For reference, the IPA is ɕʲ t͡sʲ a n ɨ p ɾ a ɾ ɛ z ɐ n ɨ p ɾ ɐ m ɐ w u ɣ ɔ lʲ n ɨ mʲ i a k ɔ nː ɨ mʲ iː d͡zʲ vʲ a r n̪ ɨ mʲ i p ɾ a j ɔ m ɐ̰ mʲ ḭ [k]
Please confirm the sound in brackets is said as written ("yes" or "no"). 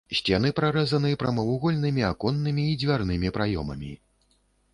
no